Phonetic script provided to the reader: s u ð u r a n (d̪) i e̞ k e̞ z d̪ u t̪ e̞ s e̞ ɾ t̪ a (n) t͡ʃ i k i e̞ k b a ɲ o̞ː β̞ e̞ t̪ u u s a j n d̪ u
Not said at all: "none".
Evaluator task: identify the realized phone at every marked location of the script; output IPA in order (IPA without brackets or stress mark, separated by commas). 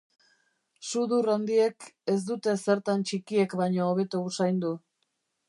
d̪, n